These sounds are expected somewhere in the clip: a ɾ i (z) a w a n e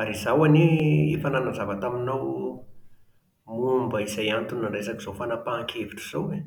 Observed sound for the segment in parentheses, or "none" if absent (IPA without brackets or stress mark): z